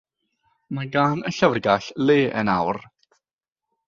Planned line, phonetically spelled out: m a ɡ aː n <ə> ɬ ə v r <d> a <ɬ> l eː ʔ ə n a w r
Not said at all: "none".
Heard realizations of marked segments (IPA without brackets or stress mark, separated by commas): ə, ɡ, ɬ